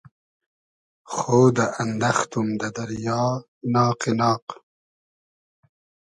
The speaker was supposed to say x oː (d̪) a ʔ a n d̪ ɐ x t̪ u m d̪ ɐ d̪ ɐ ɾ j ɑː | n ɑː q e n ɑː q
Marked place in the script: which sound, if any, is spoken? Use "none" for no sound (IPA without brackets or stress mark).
d̪